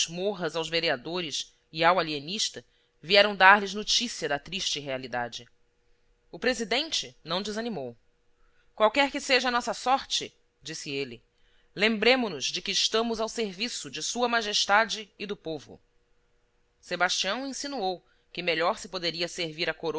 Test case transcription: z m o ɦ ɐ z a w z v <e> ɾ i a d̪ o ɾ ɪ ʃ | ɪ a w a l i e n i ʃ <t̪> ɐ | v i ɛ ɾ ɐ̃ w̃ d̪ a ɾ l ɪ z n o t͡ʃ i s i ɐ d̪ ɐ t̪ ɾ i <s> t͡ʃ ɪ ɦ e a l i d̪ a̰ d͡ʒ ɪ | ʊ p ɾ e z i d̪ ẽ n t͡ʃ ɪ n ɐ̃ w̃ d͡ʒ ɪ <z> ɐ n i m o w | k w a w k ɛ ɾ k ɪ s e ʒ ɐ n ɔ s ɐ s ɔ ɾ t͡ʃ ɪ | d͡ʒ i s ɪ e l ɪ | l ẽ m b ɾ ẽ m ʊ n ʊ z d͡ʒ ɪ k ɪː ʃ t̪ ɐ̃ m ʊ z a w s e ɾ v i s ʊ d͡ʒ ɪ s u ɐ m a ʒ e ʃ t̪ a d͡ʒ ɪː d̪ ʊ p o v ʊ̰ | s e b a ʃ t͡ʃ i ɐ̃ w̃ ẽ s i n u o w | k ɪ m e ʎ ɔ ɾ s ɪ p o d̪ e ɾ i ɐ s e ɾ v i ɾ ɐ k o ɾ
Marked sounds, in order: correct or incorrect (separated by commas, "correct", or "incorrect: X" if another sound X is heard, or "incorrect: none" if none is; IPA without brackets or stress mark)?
correct, correct, incorrect: ʃ, correct